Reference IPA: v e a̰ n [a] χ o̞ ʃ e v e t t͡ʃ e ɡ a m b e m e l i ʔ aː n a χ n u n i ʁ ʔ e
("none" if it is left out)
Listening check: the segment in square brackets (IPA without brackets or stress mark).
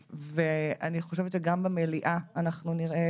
i